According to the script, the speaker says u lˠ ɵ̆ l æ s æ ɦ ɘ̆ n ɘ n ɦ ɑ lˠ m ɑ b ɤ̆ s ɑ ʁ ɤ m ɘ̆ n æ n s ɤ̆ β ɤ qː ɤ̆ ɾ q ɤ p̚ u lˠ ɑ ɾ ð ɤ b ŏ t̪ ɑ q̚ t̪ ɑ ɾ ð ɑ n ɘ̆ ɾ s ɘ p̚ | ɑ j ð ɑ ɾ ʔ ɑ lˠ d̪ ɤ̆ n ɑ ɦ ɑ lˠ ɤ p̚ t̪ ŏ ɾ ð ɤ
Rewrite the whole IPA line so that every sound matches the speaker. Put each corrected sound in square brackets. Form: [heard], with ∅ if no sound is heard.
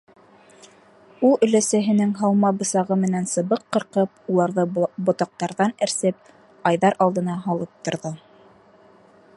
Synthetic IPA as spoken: u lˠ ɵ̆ l æ s æ ɦ ɘ̆ n ɘ [ŋ] ɦ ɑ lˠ m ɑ b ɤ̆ s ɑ ʁ ɤ m ɘ̆ n æ n s ɤ̆ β ɤ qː ɤ̆ ɾ q ɤ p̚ u lˠ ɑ ɾ ð ɤ b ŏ t̪ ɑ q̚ t̪ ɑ ɾ ð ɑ n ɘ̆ ɾ s ɘ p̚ | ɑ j ð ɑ ɾ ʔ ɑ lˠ d̪ ɤ̆ n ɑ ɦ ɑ lˠ ɤ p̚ t̪ ŏ ɾ ð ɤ

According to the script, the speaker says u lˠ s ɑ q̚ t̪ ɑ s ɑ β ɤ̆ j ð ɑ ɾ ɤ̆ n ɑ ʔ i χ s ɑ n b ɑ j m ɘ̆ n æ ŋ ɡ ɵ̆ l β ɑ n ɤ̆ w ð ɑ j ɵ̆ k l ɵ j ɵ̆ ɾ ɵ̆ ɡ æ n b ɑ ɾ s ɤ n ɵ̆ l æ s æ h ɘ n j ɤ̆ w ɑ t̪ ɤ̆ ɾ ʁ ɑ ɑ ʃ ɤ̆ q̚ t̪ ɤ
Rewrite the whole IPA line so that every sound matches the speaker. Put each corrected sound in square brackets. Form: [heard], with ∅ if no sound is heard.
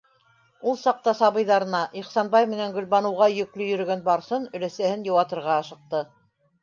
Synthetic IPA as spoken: u lˠ s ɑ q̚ t̪ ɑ s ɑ β ɤ̆ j ð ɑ ɾ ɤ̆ n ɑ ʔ i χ s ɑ n b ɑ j m ɘ̆ n æ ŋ ɡ ɵ̆ l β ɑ n ɤ̆ w [ʁ] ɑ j ɵ̆ k l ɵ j ɵ̆ ɾ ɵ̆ ɡ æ n b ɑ ɾ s ɤ n ɵ̆ l æ s æ h ɘ n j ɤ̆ w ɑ t̪ ɤ̆ ɾ ʁ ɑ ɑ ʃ ɤ̆ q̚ t̪ ɤ

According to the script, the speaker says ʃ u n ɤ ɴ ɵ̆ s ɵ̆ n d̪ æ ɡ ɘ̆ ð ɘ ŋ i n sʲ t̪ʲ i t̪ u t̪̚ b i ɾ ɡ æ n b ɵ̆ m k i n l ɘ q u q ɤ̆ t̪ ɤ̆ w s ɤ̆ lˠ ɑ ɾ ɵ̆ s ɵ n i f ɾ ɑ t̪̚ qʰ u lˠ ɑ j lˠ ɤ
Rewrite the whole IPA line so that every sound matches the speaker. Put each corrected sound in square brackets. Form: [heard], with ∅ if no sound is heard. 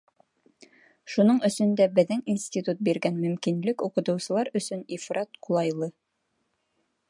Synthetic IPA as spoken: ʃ u n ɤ ɴ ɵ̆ s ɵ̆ n d̪ æ [b] ɘ̆ ð ɘ ŋ i n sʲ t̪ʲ i t̪ u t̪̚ b i ɾ ɡ æ n [m] ɵ̆ m k i n l ɘ [k] u q ɤ̆ t̪ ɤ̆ w s ɤ̆ lˠ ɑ ɾ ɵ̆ s ɵ n i f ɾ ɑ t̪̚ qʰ u lˠ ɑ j lˠ ɤ

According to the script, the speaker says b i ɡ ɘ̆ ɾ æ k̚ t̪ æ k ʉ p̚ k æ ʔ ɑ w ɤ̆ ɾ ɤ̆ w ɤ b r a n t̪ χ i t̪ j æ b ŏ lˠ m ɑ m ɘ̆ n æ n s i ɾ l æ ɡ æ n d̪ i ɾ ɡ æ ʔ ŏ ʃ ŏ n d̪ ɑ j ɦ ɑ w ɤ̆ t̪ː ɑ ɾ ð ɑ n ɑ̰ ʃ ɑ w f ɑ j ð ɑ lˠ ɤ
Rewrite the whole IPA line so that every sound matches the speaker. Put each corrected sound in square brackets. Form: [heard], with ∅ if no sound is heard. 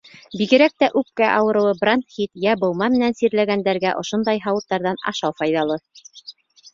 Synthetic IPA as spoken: b i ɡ ɘ̆ ɾ æ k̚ t̪ æ [ʔ] ʉ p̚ k æ ʔ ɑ w ɤ̆ ɾ ɤ̆ w ɤ b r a n t̪ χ i t̪ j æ b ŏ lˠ m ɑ m ɘ̆ n æ n s i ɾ l æ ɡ æ n d̪ [æ] ɾ ɡ æ ʔ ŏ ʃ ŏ n d̪ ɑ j ɦ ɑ w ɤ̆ t̪ː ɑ ɾ ð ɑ n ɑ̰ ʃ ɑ w f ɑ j ð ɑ lˠ ɤ

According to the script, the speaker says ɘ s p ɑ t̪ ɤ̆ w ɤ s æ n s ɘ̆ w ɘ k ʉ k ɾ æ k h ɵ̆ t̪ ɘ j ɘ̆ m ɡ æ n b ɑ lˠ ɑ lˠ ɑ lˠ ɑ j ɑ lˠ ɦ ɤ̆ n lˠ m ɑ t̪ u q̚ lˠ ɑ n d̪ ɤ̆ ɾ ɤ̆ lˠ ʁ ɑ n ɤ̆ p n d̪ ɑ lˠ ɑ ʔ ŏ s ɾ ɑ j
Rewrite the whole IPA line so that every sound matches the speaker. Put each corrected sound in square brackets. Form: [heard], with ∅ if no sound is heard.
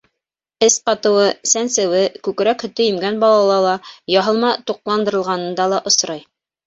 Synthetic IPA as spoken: ɘ s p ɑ t̪ ɤ̆ w ɤ s æ n s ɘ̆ w ɘ k ʉ k ɾ æ k h ɵ̆ t̪ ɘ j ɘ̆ m ɡ æ n b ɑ lˠ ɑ lˠ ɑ lˠ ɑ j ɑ [∅] ɦ ɤ̆ [∅] lˠ m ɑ t̪ u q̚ lˠ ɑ n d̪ ɤ̆ ɾ ɤ̆ lˠ ʁ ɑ n ɤ̆ [∅] n d̪ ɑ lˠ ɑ ʔ ŏ s ɾ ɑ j

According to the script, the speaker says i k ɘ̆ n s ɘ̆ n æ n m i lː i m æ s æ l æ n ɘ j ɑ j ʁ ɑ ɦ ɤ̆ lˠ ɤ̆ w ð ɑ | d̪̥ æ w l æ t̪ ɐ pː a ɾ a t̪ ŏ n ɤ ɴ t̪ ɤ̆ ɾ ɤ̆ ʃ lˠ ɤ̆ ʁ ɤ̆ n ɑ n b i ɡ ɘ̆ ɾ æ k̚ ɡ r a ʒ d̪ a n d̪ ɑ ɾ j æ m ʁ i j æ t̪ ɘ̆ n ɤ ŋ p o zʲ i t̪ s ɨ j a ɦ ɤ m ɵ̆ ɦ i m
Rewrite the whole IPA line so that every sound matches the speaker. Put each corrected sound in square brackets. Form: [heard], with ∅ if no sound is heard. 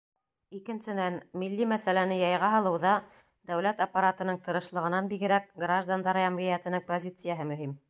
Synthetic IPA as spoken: i k ɘ̆ n s ɘ̆ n æ n m i lː i m æ s æ l æ n ɘ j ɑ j ʁ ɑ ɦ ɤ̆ lˠ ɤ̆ w ð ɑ | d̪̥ æ w l æ t̪ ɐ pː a ɾ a t̪ [ɤ̆] n ɤ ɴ t̪ ɤ̆ ɾ ɤ̆ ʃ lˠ ɤ̆ ʁ ɤ̆ n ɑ n b i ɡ ɘ̆ ɾ æ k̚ ɡ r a ʒ d̪ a n d̪ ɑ ɾ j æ m ʁ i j æ t̪ ɘ̆ n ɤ ŋ p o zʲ i t̪ s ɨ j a ɦ ɤ m ɵ̆ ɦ i m

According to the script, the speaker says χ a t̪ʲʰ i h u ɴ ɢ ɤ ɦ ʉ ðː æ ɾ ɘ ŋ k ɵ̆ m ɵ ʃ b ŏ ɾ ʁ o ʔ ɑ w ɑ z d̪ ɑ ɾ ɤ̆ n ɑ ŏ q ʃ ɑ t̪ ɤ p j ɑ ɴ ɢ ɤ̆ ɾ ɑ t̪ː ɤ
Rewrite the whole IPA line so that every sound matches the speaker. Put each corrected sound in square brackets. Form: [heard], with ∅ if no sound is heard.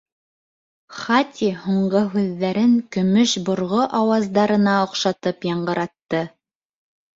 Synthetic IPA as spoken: χ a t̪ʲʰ i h u ɴ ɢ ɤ ɦ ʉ ðː æ ɾ ɘ ŋ k ɵ̆ m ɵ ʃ b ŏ ɾ ʁ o ʔ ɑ w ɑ z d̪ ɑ ɾ ɤ̆ n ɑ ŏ q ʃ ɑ t̪ ɤ p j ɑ ɴ ɢ ɤ̆ ɾ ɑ t̪ː ɤ

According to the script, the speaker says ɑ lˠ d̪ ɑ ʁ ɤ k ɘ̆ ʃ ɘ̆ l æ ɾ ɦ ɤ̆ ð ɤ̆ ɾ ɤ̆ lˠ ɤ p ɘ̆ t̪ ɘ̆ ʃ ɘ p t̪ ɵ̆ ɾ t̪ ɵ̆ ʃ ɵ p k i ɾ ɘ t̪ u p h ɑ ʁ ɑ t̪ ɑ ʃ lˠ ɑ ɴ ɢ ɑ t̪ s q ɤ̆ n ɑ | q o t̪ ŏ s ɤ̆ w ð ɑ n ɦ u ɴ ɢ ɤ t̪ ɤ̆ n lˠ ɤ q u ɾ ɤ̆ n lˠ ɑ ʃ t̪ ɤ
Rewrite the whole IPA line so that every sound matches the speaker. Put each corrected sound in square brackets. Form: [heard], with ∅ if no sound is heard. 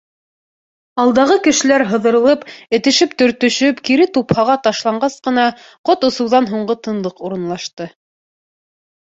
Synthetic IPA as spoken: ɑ lˠ d̪ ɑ ʁ ɤ k ɘ̆ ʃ ɘ̆ l æ ɾ ɦ ɤ̆ ð ɤ̆ ɾ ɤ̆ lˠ ɤ p ɘ̆ t̪ ɘ̆ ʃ ɘ p t̪ ɵ̆ ɾ t̪ ɵ̆ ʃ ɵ p k i ɾ ɘ t̪ u p h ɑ ʁ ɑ t̪ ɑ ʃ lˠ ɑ ɴ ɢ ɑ [∅] s q ɤ̆ n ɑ | q o t̪ ŏ s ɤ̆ w ð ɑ n ɦ u ɴ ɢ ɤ t̪ ɤ̆ n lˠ ɤ q u ɾ ɤ̆ n lˠ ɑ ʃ t̪ ɤ

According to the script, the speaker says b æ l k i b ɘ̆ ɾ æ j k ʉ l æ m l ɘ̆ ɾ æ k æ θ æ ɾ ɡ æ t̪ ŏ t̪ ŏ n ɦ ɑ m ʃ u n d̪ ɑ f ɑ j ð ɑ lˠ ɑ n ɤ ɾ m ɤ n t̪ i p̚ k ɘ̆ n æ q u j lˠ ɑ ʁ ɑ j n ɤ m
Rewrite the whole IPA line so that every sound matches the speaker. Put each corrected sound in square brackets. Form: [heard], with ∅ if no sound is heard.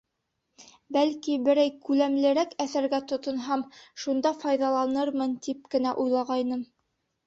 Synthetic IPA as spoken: b æ l k i b ɘ̆ ɾ æ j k ʉ l æ m l ɘ̆ ɾ æ k æ θ æ ɾ ɡ æ t̪ ŏ t̪ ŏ n ɦ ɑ m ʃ u n d̪ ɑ f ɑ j ð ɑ lˠ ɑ n ɤ ɾ m ɤ n t̪ i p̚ k ɘ̆ n æ [ʔ] u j lˠ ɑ ʁ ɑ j n ɤ m

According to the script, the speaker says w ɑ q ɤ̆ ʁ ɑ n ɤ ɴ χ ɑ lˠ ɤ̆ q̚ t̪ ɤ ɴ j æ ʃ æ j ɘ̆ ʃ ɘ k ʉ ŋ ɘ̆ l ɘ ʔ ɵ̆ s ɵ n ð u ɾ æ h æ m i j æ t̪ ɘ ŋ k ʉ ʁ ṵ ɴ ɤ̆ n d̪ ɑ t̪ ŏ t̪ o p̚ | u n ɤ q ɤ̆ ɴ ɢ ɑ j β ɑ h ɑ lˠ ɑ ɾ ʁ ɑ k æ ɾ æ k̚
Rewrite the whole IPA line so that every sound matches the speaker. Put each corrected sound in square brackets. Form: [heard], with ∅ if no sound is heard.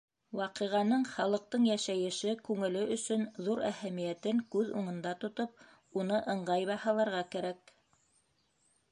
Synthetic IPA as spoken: w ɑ q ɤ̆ ʁ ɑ n ɤ ɴ χ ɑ lˠ ɤ̆ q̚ t̪ ɤ ɴ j æ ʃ æ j ɘ̆ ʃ ɘ k ʉ ŋ ɘ̆ l ɘ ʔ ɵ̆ s ɵ n ð u ɾ æ h æ m i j æ t̪ ɘ ŋ k ʉ [ð] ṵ ɴ ɤ̆ n d̪ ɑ t̪ ŏ t̪ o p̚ | u n ɤ [ʔ] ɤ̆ ɴ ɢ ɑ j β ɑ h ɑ lˠ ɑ ɾ ʁ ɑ k æ ɾ æ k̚

